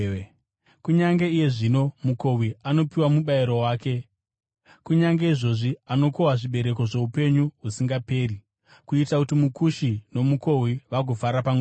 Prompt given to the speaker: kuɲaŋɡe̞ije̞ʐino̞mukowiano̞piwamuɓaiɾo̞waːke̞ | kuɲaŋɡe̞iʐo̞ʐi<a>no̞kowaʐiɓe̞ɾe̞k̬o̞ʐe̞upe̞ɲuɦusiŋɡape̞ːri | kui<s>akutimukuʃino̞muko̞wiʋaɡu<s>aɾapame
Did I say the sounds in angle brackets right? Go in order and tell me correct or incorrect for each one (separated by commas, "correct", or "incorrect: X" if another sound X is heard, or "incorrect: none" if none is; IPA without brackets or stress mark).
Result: correct, incorrect: t, incorrect: f